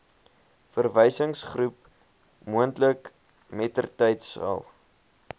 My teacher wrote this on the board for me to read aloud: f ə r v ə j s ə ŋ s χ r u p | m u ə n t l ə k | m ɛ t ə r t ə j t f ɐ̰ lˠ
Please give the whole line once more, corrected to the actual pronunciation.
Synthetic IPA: f ə r v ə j s ə ŋ s χ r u p | m u ə n t l ə k | m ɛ t ə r t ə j t s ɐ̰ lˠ